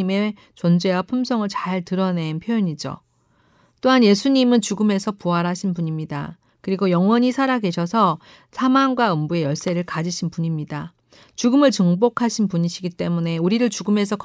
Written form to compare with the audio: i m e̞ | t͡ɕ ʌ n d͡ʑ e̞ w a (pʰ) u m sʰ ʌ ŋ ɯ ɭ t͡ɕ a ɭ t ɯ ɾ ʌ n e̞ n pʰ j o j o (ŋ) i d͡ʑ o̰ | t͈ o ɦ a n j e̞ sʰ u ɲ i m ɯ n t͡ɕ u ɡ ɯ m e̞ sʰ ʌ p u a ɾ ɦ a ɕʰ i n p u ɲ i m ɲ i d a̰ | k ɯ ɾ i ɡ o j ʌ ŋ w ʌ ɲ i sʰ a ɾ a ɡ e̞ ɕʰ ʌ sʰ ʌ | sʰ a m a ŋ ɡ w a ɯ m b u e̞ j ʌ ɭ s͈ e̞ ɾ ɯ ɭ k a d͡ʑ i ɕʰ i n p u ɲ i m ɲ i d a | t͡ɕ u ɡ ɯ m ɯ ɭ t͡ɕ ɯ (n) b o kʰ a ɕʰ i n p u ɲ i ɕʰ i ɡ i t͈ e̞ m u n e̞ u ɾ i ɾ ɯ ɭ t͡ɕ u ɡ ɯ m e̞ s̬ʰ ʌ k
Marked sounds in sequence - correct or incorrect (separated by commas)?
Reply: correct, incorrect, incorrect